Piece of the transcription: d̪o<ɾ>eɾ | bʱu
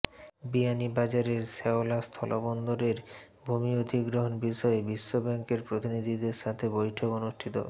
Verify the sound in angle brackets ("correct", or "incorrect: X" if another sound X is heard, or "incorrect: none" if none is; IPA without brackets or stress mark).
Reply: correct